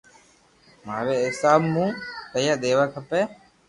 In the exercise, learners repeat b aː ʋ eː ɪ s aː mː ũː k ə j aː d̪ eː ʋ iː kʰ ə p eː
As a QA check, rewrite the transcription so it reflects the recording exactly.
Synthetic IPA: m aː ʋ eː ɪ s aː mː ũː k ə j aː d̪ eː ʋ aː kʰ ə p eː